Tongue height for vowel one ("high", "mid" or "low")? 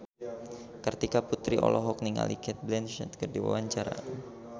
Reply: mid